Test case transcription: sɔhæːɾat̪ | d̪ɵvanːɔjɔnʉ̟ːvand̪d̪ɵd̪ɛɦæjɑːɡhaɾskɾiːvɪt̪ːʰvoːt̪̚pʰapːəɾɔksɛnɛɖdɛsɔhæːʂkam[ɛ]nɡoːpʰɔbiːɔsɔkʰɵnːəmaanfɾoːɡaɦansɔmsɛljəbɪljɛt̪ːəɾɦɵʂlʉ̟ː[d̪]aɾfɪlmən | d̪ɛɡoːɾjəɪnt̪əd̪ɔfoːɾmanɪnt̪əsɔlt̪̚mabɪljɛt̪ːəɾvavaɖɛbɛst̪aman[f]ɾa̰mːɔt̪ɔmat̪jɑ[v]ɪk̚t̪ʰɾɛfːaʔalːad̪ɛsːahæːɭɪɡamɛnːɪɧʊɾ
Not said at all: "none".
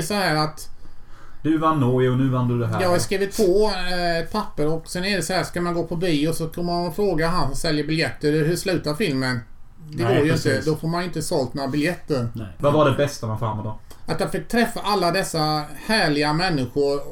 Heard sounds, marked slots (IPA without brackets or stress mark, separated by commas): a, t̪, f, f